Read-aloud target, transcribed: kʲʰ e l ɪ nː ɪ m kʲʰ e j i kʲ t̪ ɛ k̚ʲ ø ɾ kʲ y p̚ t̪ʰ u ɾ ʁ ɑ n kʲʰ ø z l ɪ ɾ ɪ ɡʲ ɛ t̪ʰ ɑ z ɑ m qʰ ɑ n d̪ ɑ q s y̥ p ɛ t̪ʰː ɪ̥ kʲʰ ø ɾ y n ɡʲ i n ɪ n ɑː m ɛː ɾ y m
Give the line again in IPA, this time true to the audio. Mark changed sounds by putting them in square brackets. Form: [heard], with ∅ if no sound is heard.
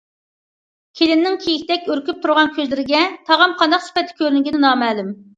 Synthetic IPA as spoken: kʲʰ e l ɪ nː ɪ [ŋ] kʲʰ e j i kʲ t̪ ɛ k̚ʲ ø ɾ kʲ y p̚ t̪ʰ u ɾ ʁ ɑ n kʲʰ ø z l ɪ ɾ ɪ ɡʲ ɛ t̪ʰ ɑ [ʁ] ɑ m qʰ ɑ n d̪ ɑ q s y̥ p ɛ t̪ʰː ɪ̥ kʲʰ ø ɾ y n ɡʲ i n ɪ n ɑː m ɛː [l] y m